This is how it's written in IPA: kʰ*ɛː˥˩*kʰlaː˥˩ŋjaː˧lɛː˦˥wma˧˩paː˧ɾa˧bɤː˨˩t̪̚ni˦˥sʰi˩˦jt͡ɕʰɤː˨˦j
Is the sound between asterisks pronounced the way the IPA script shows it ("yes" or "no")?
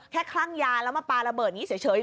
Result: yes